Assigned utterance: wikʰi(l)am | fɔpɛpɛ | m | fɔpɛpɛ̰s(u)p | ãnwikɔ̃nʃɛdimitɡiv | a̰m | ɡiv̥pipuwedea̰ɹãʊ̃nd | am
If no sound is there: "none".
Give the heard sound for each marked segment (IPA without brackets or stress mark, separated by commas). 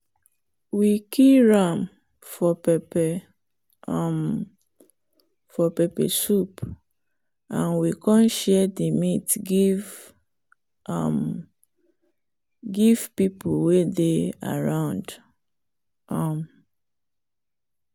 ɹ, u